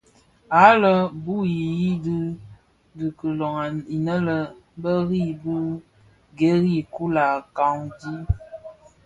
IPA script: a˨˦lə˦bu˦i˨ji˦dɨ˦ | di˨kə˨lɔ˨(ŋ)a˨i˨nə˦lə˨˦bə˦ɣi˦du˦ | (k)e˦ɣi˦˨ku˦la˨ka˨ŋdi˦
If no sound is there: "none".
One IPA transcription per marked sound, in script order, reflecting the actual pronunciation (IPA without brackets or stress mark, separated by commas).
ŋ, ɡ